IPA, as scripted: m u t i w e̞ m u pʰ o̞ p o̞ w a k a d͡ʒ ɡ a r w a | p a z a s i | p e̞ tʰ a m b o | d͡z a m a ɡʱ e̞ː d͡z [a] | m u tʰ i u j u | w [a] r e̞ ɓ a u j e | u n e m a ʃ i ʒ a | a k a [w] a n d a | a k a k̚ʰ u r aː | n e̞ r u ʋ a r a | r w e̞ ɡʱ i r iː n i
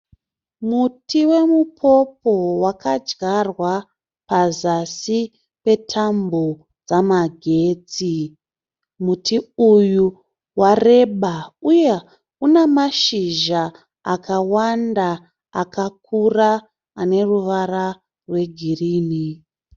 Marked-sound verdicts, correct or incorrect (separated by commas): incorrect, correct, correct